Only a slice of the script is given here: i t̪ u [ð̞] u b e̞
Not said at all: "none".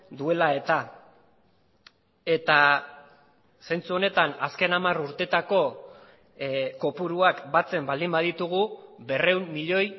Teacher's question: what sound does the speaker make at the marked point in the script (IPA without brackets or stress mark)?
ɣ̞